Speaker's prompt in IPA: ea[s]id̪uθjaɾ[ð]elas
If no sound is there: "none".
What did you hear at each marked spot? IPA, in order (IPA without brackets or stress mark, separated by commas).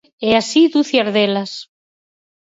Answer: s, ð